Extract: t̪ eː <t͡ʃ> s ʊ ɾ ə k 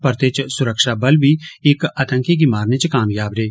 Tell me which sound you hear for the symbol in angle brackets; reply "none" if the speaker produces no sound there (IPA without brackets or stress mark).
t͡ʃ